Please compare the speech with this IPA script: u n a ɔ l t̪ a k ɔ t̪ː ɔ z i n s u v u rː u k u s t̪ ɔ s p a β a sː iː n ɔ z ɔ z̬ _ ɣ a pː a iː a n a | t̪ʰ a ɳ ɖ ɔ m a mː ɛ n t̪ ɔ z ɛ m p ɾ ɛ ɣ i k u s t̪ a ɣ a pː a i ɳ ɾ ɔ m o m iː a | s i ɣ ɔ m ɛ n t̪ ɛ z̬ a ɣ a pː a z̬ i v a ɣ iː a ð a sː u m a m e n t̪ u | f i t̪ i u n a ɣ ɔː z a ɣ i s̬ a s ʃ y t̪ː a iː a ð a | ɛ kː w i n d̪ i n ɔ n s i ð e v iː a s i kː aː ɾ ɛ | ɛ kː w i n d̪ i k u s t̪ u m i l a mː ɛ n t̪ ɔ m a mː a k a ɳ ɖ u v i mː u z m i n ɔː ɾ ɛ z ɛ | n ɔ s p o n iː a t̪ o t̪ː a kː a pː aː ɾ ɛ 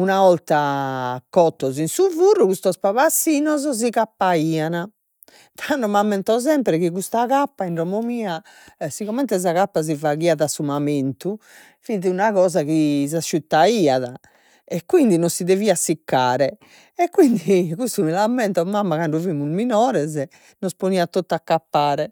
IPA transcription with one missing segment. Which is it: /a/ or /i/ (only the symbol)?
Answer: i